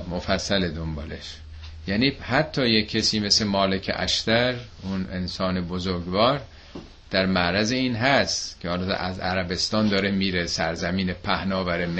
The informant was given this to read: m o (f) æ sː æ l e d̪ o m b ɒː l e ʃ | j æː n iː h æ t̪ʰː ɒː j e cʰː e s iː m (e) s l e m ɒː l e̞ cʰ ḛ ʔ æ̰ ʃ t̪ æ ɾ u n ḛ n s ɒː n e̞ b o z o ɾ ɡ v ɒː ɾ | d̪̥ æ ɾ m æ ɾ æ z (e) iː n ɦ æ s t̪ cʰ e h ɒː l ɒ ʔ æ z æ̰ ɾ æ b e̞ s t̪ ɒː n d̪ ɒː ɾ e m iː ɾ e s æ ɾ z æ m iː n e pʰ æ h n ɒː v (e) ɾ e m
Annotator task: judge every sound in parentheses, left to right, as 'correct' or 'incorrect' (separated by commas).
correct, correct, correct, incorrect